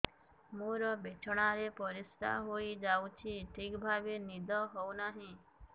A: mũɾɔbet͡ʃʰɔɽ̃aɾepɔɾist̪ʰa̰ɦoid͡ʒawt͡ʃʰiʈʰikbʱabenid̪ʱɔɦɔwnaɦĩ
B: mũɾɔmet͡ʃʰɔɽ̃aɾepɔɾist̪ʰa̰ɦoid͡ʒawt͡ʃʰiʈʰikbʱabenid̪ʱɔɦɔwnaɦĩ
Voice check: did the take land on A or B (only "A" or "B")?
A